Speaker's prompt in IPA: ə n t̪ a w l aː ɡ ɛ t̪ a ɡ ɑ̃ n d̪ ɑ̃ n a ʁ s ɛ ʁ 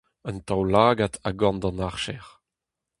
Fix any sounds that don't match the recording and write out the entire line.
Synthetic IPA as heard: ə n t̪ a w l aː ɡ a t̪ a ɡ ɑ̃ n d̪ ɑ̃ n a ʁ ʃ ɛ ʁ